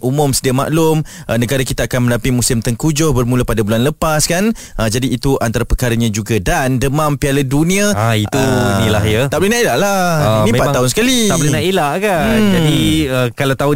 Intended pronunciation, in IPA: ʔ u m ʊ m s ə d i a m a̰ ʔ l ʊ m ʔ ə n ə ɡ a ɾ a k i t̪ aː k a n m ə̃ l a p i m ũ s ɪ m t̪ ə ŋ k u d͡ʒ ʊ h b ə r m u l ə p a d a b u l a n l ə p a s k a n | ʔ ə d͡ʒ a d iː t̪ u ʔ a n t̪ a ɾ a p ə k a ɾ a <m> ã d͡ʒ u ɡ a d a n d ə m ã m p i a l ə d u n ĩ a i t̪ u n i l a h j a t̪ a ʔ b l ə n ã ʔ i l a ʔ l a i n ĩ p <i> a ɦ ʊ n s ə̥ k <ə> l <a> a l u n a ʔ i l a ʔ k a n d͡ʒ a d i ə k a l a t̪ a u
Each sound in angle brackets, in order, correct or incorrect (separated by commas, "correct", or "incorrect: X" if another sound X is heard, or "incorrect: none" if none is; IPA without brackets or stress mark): incorrect: ɲ, incorrect: a, incorrect: a, incorrect: i